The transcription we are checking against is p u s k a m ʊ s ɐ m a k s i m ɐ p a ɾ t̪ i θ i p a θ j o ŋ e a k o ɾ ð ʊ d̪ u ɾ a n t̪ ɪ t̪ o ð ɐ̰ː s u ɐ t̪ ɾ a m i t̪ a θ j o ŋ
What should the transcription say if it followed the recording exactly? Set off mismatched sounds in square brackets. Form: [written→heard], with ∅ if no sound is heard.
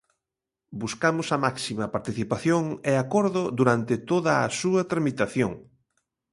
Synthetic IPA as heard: [p→b] u s k a m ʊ s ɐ m a k s i m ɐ p a ɾ t̪ i θ i p a θ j o ŋ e a k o ɾ ð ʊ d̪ u ɾ a n t̪ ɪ t̪ o ð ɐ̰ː s u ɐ t̪ ɾ a m i t̪ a θ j o ŋ